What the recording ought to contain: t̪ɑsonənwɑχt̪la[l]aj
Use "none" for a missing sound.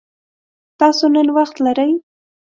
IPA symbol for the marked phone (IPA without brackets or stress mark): ɾ